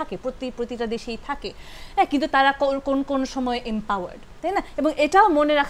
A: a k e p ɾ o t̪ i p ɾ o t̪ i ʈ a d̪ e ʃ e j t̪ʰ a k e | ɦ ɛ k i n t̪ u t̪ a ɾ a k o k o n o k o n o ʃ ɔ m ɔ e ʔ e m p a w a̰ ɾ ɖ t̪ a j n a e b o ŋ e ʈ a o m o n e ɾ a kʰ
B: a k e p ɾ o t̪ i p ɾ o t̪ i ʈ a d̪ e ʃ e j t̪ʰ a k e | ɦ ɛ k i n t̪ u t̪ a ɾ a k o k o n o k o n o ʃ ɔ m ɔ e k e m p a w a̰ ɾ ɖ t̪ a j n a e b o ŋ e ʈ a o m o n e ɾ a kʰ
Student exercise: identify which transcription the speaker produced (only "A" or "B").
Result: A